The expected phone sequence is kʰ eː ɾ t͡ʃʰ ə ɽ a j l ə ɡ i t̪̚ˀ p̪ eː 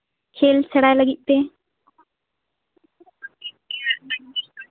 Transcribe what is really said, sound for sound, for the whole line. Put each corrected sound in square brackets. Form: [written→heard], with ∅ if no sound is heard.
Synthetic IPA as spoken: kʰ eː [ɾ→l] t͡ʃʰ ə ɽ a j l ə ɡ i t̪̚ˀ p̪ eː